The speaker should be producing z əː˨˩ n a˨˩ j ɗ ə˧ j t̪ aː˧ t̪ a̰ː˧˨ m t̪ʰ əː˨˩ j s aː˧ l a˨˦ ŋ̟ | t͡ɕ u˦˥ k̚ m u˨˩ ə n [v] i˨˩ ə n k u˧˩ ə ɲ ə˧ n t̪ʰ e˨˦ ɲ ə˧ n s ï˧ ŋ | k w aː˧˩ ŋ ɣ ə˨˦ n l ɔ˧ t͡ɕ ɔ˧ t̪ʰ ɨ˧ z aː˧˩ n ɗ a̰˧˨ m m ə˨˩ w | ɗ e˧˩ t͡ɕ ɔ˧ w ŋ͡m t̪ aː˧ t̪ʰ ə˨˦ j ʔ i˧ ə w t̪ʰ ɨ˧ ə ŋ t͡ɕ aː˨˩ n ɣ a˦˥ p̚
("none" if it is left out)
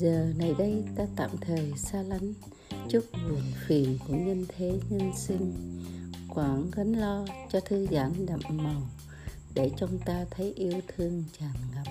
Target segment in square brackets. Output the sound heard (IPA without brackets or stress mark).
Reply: f